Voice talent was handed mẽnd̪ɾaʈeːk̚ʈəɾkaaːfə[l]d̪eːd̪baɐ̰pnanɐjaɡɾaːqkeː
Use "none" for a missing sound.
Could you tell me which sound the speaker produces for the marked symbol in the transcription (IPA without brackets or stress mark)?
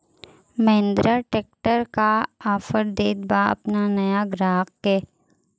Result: ɾ